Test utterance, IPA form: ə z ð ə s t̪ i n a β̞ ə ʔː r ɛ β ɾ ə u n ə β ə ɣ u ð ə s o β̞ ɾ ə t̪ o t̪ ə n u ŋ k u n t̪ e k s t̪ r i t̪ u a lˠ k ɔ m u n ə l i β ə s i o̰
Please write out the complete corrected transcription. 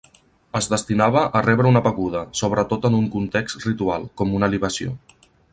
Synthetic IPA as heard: ə z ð ə s t̪ i n a β̞ ə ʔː r ɛ β ɾ ə u n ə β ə ɣ u ð ə s o β̞ ɾ ə t̪ o t̪ ə n u ŋ k u n t̪ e k s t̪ r i t̪ u a lˠ k ɔ m u n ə l i β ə s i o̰